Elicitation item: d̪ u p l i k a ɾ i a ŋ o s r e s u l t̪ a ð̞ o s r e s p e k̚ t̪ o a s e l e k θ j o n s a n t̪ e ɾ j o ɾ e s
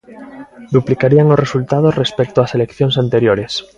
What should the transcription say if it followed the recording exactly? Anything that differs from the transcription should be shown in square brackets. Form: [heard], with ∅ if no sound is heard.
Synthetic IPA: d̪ u p l i k a ɾ i a ŋ o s r e s u l t̪ a ð̞ o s r e s p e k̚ t̪ o a s e l e k θ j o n s a n t̪ e ɾ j o ɾ e s